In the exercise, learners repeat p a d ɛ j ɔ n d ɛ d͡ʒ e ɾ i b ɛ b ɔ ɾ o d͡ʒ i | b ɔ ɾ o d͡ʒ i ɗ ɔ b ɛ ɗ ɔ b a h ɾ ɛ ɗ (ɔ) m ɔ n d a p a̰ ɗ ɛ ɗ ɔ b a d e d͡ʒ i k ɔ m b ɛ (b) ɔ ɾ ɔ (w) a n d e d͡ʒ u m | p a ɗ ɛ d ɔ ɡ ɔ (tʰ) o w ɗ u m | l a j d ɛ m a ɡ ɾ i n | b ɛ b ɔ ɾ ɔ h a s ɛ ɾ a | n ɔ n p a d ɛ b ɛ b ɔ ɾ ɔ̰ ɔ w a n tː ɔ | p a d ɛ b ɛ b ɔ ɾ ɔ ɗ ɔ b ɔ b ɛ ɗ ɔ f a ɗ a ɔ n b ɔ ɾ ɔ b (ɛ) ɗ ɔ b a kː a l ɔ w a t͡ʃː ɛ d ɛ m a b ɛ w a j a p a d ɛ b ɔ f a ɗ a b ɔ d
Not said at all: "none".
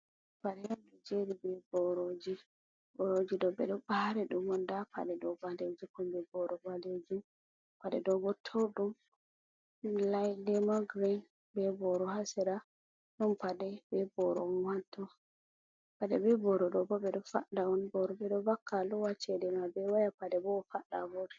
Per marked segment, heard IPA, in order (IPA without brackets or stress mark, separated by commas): u, b, b, tʰ, ɛ